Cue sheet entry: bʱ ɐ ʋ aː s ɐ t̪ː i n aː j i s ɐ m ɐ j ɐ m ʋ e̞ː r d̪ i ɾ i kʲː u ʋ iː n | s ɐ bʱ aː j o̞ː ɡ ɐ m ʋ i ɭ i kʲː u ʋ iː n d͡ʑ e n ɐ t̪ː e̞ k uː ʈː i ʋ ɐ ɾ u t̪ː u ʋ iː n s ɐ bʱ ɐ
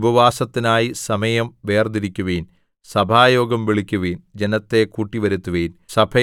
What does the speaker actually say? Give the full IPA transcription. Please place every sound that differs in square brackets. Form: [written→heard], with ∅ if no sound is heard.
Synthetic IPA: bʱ ɐ ʋ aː s ɐ t̪ː i n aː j i s ɐ m ɐ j ɐ m ʋ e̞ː r d̪ i ɾ i kʲː u ʋ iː n | s ɐ bʱ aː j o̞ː ɡ ɐ m ʋ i ɭ i kʲː u ʋ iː n d͡ʑ e n ɐ t̪ː e̞ k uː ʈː i ʋ ɐ ɾ u t̪ː u ʋ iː n s ɐ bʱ ɐ

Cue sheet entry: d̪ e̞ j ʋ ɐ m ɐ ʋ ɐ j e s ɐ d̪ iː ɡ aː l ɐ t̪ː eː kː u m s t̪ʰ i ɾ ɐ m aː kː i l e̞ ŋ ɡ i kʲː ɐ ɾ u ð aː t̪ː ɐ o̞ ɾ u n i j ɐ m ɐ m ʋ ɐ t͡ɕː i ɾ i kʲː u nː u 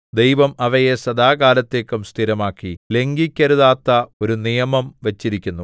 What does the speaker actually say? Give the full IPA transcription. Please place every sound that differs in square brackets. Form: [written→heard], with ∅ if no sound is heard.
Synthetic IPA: d̪ e̞ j ʋ ɐ m ɐ ʋ ɐ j e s ɐ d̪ [iː→aː] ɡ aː l ɐ t̪ː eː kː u m s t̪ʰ i ɾ ɐ m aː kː i l e̞ ŋ ɡ i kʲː ɐ ɾ u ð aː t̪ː ɐ o̞ ɾ u n i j ɐ m ɐ m ʋ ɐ t͡ɕː i ɾ i kʲː u nː u

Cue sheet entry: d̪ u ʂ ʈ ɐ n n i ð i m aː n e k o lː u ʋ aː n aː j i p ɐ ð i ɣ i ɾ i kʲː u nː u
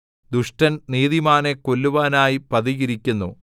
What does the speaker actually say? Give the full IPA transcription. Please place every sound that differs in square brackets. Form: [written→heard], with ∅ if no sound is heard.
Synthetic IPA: d̪ u ʂ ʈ ɐ n n [i→iː] ð i m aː n e k o lː u ʋ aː n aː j i p ɐ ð i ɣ i ɾ i kʲː u nː u

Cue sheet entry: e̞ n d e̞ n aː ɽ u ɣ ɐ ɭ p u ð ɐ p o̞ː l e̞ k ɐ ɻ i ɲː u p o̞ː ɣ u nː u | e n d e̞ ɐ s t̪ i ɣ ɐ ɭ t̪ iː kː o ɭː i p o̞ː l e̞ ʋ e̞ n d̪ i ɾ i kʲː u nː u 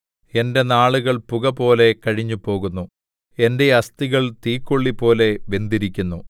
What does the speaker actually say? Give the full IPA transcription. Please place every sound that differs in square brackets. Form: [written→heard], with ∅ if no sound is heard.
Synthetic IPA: e̞ n d e̞ n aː [ɽ→ɭ] u ɣ ɐ ɭ p u [ð→ɣ] ɐ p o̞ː l e̞ k ɐ ɻ i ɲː u p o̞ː ɣ u nː u | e n d e̞ ɐ s t̪ i ɣ ɐ ɭ t̪ iː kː o ɭː i p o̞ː l e̞ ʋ e̞ n d̪ i ɾ i kʲː u nː u

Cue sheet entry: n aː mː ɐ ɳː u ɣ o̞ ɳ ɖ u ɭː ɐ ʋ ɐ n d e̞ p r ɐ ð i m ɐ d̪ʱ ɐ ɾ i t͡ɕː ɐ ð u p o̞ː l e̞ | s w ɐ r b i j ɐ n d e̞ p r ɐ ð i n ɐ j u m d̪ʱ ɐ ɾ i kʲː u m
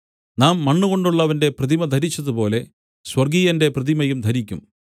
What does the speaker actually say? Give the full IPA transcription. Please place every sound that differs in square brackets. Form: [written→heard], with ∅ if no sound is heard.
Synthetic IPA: n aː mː ɐ ɳː u ɣ o̞ ɳ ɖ u ɭː ɐ ʋ ɐ n d e̞ p r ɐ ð i m ɐ d̪ʱ ɐ ɾ i t͡ɕː ɐ ð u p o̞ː l e̞ | s w ɐ r [b→ɡ] i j ɐ n d e̞ p r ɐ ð i [n→m] ɐ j u m d̪ʱ ɐ ɾ i kʲː u m

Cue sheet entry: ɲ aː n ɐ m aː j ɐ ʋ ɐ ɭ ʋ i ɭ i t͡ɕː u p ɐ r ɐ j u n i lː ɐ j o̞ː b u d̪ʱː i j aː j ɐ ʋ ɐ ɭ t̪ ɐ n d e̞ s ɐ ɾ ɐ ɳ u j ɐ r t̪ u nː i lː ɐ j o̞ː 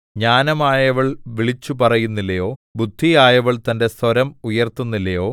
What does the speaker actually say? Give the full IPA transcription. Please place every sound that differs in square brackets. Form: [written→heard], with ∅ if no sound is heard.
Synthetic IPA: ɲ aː n ɐ m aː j ɐ ʋ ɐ ɭ ʋ i ɭ i t͡ɕː u p ɐ r ɐ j u [n→nː] i lː ɐ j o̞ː b u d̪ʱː i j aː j ɐ ʋ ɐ ɭ t̪ ɐ n d e̞ s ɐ ɾ ɐ [ɳ→m] u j ɐ r t̪ u nː i lː ɐ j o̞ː

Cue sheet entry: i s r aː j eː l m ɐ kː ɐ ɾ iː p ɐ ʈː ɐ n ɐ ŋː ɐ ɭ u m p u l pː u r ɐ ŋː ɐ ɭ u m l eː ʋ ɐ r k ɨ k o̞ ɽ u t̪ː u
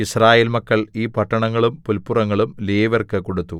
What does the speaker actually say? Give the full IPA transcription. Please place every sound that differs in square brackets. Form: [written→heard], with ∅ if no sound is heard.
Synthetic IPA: i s r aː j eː l m ɐ kː ɐ [ɾ→ɭ] iː p ɐ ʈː ɐ [n→ɳ] ɐ ŋː ɐ ɭ u m p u l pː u r ɐ ŋː ɐ ɭ u m l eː ʋ ɐ r k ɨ k o̞ ɽ u t̪ː u

